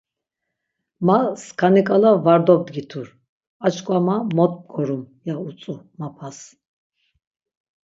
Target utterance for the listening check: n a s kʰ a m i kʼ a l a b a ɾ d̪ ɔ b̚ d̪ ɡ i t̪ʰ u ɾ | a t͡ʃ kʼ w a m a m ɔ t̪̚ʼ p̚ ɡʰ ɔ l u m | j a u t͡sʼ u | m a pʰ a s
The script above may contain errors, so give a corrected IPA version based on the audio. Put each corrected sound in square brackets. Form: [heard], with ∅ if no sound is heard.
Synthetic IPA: [m] a s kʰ a [n] i kʼ a l a [v] a ɾ d̪ ɔ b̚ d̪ ɡ i t̪ʰ u ɾ | a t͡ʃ kʼ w a m a m ɔ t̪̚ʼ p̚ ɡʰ ɔ [ɾ] u m | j a u t͡sʼ u | m a pʰ a s